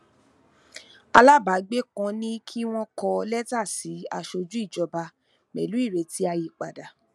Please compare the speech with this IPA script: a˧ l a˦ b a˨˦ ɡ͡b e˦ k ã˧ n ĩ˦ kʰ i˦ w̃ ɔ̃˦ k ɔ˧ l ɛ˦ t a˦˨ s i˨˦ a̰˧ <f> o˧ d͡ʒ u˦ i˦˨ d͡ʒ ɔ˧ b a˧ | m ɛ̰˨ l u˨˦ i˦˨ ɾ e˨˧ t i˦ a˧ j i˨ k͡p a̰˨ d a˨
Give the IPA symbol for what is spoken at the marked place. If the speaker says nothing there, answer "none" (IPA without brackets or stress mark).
ʃ